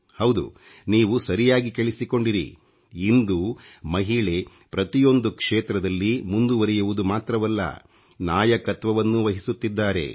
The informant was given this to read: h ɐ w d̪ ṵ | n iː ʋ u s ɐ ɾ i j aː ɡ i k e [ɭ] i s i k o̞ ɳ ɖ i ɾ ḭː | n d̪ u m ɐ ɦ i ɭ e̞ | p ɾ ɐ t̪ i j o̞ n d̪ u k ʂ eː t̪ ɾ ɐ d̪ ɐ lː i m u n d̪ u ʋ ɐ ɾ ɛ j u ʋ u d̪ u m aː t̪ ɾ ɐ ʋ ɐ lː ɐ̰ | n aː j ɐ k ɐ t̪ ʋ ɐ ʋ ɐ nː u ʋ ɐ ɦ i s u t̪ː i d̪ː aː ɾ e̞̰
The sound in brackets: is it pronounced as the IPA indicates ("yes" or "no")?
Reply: yes